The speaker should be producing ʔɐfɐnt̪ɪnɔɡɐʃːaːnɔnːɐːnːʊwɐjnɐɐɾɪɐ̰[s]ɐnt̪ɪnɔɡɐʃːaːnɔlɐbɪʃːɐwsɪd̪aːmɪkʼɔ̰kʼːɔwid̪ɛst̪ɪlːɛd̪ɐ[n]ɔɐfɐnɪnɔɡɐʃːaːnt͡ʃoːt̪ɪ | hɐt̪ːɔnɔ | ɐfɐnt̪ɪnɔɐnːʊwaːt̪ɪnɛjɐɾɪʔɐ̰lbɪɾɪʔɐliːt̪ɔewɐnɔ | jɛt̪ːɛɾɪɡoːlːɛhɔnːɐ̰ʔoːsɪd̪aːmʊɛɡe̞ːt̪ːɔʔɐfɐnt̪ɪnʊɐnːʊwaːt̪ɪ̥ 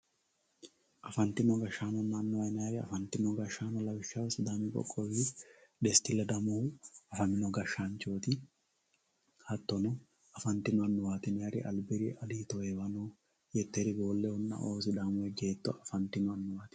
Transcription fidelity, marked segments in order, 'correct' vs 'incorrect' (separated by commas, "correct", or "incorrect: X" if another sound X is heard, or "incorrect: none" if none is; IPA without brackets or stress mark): incorrect: f, incorrect: m